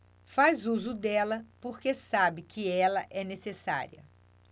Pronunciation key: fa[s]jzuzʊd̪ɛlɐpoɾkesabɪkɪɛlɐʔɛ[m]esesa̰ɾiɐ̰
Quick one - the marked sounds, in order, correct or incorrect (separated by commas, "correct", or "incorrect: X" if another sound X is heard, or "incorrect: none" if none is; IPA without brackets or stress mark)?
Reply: incorrect: none, incorrect: n